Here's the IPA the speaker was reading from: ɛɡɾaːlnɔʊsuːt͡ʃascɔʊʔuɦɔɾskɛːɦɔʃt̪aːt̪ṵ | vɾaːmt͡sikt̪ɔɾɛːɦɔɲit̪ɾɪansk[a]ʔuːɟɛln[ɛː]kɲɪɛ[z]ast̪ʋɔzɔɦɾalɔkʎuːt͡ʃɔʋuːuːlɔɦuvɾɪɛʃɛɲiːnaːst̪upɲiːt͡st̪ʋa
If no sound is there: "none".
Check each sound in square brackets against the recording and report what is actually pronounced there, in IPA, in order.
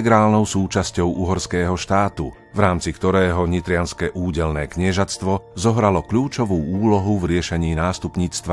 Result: ɛ, ɛː, ʒ

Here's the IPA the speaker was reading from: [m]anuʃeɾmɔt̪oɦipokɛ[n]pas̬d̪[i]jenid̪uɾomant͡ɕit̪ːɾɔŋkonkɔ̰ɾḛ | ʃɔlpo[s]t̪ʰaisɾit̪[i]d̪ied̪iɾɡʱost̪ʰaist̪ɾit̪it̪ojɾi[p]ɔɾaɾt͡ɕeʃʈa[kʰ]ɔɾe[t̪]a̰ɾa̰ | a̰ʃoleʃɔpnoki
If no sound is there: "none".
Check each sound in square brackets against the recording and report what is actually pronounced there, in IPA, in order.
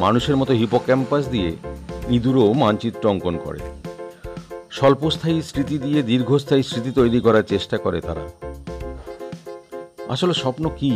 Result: m, m, i, s, i, k, k, t̪

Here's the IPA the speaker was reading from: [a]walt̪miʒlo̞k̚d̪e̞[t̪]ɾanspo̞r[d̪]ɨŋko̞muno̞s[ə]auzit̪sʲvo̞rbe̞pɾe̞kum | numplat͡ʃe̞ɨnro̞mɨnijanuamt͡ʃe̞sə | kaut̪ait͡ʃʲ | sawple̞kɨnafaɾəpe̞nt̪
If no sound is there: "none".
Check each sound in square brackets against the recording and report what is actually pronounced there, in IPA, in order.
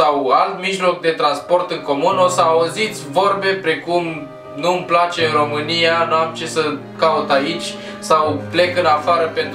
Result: a, t̪, t̪, ə

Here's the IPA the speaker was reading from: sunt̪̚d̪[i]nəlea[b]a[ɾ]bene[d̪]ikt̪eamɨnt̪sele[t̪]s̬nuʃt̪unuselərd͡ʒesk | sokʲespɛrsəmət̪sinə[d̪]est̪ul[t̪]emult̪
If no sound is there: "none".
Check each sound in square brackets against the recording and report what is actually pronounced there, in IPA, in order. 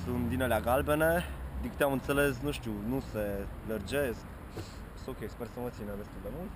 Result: i, ɡ, l, d̪, none, d̪, d̪

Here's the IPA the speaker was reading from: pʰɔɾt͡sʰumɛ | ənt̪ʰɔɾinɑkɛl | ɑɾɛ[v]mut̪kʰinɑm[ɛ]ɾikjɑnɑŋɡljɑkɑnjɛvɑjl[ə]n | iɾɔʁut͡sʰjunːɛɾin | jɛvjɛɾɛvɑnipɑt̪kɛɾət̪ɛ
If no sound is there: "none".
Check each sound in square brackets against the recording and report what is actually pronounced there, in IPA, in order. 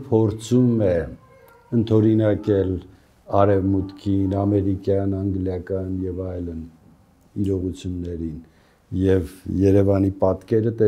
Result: v, ɛ, ə

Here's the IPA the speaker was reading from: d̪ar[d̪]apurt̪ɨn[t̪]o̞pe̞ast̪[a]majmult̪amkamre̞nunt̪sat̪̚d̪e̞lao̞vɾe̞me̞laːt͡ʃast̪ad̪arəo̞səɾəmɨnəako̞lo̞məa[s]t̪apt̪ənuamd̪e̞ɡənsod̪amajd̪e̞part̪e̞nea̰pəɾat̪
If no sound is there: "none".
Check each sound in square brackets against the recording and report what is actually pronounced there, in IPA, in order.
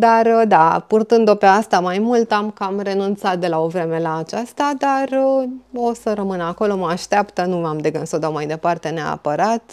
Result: d̪, d̪, a, ʃ

